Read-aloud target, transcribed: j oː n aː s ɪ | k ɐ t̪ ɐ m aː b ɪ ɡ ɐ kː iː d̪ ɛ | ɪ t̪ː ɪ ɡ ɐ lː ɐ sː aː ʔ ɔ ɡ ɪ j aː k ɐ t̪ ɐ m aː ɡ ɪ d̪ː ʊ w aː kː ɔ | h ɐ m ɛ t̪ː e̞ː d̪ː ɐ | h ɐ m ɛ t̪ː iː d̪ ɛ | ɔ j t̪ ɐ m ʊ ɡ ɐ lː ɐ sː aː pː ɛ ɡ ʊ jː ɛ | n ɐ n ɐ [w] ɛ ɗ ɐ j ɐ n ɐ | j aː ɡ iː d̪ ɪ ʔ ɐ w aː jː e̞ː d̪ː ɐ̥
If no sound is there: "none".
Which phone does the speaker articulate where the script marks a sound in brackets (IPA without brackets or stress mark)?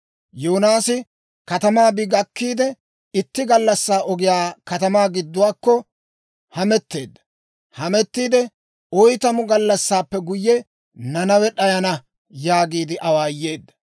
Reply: w